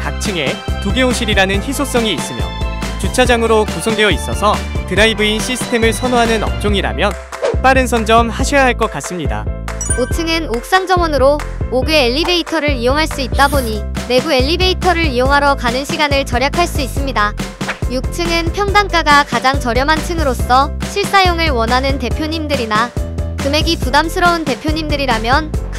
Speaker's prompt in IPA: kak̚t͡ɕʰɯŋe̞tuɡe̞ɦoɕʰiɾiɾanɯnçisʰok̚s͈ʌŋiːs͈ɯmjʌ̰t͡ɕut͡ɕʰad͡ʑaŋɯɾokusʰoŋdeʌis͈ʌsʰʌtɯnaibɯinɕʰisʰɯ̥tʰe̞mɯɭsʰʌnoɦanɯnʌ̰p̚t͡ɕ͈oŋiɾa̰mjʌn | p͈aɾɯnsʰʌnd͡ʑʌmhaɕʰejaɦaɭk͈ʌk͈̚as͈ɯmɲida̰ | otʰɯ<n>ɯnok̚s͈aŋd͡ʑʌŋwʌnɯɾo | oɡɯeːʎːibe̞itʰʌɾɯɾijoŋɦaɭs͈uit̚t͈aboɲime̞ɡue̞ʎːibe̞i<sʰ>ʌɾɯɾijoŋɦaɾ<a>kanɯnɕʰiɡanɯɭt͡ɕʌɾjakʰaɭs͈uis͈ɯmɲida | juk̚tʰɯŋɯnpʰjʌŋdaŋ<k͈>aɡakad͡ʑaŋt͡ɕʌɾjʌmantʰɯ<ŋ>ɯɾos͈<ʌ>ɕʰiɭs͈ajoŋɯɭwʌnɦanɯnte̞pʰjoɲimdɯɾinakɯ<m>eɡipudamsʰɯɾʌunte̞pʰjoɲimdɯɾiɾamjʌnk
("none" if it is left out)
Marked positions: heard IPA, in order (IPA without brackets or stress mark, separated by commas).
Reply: ŋ, tʰ, ʌ, k͈, ŋ, ʌ, m